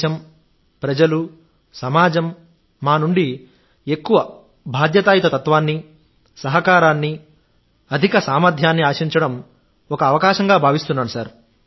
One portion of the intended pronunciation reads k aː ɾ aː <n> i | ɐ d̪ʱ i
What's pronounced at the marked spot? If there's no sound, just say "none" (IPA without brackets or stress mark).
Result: nː